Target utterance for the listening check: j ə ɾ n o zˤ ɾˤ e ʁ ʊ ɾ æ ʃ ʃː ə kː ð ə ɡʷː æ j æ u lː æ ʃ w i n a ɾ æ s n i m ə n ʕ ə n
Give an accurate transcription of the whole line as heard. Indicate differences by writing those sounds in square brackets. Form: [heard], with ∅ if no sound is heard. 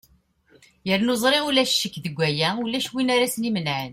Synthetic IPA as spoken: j ə ɾ n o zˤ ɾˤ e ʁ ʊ [l] æ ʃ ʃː ə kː ð ə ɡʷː æ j æ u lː æ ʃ w i n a ɾ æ s n i m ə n ʕ ə n